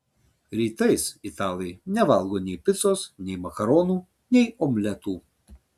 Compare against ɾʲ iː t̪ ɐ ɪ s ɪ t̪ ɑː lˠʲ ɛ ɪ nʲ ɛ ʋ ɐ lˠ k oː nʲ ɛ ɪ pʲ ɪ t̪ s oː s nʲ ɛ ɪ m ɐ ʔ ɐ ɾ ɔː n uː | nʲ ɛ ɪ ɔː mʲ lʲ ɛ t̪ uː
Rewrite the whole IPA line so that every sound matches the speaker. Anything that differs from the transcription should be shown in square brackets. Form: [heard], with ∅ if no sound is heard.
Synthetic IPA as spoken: ɾʲ iː t̪ ɐ ɪ s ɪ t̪ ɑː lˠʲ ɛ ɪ nʲ ɛ ʋ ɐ lˠ [ɡ] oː nʲ ɛ ɪ pʲ ɪ t̪ s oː s nʲ ɛ ɪ m ɐ [k] ɐ ɾ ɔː n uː | nʲ ɛ ɪ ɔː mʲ lʲ ɛ t̪ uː